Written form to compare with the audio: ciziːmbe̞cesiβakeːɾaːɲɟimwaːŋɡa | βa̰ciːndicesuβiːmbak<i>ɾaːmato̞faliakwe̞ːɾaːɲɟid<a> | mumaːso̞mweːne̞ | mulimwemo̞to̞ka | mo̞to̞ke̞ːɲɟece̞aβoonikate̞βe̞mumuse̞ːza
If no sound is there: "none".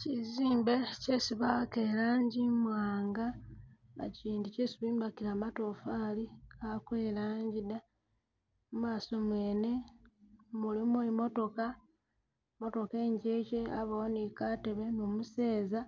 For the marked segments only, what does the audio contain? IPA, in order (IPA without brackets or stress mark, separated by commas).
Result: i, a